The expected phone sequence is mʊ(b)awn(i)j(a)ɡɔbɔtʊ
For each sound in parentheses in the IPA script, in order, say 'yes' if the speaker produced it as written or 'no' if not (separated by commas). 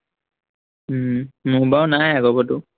yes, no, yes